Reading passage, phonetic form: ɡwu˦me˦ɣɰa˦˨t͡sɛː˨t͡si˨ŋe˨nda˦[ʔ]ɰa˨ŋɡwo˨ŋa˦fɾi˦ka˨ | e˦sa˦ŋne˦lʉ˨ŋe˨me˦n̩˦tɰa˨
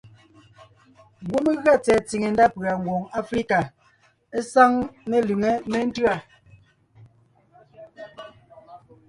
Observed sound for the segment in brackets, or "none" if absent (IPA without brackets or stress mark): p